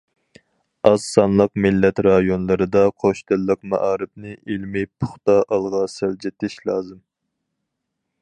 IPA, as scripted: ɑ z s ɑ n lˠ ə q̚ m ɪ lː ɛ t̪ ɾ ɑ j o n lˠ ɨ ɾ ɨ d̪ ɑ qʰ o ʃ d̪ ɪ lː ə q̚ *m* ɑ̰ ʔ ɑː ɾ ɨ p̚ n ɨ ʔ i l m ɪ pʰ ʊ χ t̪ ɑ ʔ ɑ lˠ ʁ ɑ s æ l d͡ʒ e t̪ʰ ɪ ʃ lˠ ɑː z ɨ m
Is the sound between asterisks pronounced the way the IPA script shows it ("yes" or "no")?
yes